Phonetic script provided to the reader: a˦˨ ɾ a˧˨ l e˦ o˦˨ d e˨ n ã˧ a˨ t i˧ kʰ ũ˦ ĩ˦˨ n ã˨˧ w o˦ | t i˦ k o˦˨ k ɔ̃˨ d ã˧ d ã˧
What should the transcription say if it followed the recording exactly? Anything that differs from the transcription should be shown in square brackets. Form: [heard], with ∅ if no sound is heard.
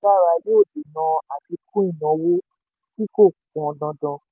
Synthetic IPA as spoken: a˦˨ ɾ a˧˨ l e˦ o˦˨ d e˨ n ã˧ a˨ t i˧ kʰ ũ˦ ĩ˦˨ n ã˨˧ w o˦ | t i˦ k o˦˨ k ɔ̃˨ d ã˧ d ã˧